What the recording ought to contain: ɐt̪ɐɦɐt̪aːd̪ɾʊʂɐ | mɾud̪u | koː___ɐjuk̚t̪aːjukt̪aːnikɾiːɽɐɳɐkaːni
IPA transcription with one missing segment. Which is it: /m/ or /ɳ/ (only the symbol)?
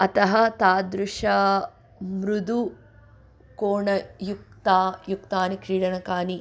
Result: ɳ